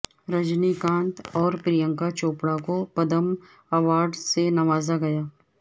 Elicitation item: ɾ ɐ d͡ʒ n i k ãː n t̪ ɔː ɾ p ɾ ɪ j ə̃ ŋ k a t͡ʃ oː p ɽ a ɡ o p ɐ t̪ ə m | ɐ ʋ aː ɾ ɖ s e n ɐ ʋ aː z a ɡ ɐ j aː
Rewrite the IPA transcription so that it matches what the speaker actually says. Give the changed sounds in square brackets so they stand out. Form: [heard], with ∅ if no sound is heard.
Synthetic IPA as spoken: ɾ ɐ d͡ʒ n i k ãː n t̪ ɔː ɾ p ɾ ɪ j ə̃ ŋ k a t͡ʃ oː p ɽ a [k] o p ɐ [d̪] ə m | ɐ ʋ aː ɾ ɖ s e n ɐ ʋ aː z a ɡ ɐ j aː